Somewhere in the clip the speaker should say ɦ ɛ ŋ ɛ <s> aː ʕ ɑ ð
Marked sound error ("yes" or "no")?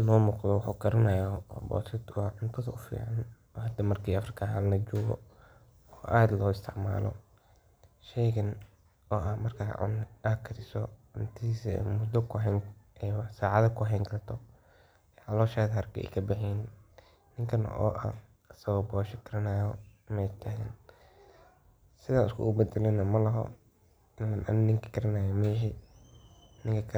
no